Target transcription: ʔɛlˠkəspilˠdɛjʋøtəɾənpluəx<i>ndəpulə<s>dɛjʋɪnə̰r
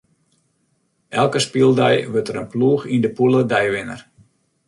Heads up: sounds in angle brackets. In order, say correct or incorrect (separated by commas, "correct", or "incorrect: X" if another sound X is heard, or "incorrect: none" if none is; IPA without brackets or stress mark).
correct, incorrect: none